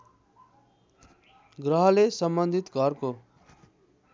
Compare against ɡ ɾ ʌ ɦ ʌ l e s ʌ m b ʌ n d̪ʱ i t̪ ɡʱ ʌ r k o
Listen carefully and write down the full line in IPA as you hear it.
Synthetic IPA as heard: ɡ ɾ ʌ ɦ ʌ l e s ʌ m b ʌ n d̪ʱ i t̪ ɡʱ ʌ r k o